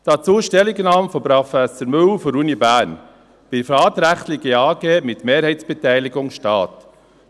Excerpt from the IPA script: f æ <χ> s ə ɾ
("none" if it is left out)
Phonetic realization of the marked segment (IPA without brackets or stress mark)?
none